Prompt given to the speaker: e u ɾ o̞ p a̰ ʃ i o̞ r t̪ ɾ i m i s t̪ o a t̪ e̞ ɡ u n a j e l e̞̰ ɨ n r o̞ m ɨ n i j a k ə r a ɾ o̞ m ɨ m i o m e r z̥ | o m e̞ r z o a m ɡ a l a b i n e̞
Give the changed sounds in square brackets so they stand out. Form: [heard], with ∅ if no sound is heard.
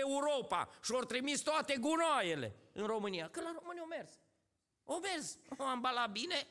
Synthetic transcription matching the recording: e u ɾ o̞ p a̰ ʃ i o̞ r t̪ ɾ i m i s t̪ o a t̪ e̞ ɡ u n a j e l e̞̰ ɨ n r o̞ m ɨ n i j a k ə [l] a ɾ o̞ m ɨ [n] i o m e r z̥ | o m e̞ r z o a m [b] a l a b i n e̞